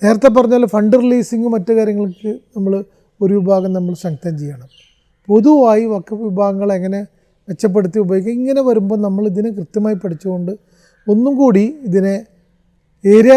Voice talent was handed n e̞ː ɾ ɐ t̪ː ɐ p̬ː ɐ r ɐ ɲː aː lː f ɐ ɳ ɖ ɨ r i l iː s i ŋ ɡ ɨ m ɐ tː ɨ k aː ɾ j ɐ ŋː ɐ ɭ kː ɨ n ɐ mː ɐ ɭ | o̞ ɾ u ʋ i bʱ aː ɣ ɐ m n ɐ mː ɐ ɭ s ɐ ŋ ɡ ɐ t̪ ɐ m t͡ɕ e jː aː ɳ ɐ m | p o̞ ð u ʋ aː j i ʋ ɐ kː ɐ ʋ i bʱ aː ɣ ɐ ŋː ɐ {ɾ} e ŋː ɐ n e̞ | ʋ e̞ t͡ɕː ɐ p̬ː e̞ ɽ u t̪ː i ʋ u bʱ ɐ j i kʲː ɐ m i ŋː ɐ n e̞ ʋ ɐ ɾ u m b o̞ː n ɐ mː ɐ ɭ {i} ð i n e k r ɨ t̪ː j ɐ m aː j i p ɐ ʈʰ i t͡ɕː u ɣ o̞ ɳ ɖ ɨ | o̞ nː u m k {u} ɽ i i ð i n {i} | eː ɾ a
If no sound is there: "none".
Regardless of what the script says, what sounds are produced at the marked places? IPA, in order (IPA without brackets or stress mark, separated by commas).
ɭ, i, uː, e